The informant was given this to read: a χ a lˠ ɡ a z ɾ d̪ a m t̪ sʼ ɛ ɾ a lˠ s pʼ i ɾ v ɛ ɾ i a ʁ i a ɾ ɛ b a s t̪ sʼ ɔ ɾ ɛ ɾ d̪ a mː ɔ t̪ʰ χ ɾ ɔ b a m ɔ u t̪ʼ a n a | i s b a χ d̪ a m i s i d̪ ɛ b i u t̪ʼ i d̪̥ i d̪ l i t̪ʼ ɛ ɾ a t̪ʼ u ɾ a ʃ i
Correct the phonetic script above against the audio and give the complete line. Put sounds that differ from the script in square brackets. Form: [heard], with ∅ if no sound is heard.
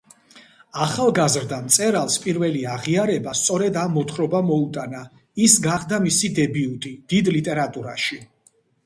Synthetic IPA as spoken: a χ a lˠ ɡ a z ɾ d̪ a m t̪ sʼ ɛ ɾ a lˠ s pʼ i ɾ v ɛ [l] i a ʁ i a ɾ ɛ b a s t̪ sʼ ɔ ɾ ɛ [∅] d̪ a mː ɔ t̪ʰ χ ɾ ɔ b a m ɔ u t̪ʼ a n a | i s [ɡ] a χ d̪ a m i s i d̪ ɛ b i u t̪ʼ i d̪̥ i d̪ l i t̪ʼ ɛ ɾ a t̪ʼ u ɾ a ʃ i